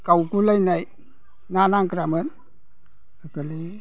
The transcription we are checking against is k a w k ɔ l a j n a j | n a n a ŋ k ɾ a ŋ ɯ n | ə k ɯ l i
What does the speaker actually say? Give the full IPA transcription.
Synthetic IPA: k a w k u l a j n a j | n a n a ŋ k ɾ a m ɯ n | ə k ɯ l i